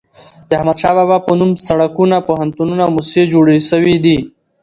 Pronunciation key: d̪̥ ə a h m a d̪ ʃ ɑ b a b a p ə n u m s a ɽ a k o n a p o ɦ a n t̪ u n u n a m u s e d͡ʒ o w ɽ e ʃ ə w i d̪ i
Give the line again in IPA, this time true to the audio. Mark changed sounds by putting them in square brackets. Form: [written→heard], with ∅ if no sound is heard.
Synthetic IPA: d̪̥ ə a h m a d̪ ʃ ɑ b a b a p ə n u m s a ɽ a k [o→u] n a p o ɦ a n t̪ u n u n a m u s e d͡ʒ o [w→∅] ɽ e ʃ ə w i d̪ i